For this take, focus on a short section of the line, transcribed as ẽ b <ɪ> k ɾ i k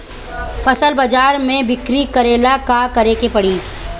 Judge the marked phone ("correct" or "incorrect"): correct